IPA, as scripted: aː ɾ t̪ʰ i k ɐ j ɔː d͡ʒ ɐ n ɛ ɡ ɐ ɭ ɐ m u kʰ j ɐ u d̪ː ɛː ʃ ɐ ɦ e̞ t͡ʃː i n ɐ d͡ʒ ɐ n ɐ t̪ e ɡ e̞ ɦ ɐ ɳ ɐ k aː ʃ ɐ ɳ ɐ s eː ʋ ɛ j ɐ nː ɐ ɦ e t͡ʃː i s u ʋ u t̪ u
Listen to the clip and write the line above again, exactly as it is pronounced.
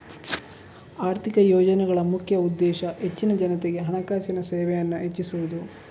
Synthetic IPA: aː ɾ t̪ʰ i k ɐ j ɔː d͡ʒ ɐ n ɛ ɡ ɐ ɭ ɐ m u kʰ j ɐ u d̪ː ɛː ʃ ɐ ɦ e̞ t͡ʃː i n ɐ d͡ʒ ɐ n ɐ t̪ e ɡ e̞ ɦ ɐ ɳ ɐ k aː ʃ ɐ n ɐ s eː ʋ ɛ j ɐ nː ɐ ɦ e t͡ʃː i s u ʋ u d̪ u